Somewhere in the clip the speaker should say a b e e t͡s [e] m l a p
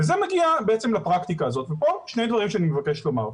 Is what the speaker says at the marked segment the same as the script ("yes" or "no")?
yes